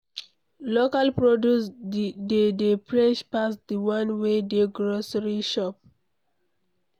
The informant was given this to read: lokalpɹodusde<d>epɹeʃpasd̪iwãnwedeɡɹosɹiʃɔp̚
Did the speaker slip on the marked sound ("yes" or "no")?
no